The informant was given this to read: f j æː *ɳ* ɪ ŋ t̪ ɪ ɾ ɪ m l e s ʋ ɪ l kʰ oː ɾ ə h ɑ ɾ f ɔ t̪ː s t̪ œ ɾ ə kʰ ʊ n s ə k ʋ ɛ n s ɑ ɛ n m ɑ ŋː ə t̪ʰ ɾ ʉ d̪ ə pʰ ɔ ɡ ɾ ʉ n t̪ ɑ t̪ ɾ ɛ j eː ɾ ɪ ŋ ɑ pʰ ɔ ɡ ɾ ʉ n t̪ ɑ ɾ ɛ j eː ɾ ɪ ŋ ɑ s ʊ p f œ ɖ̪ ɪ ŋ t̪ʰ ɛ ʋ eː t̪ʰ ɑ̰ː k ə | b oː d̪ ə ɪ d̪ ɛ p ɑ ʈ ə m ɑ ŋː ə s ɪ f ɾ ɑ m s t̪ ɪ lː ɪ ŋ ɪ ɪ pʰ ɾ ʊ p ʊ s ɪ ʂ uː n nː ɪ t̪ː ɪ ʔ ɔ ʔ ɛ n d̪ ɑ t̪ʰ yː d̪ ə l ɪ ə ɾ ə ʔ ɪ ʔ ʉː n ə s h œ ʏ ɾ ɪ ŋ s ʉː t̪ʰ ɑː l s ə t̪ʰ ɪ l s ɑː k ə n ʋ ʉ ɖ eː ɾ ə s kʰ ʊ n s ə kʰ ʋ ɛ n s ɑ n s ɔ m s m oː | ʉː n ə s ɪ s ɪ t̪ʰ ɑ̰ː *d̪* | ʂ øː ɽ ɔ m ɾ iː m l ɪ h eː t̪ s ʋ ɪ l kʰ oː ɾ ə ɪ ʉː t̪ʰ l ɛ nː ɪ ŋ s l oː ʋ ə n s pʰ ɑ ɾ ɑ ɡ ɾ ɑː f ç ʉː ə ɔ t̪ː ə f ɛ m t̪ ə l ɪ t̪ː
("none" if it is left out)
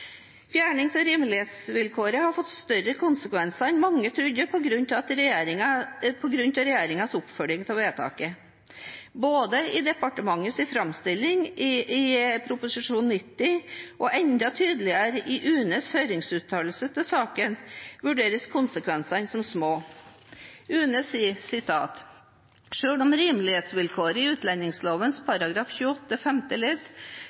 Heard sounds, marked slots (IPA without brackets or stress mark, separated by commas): ɳ, t̪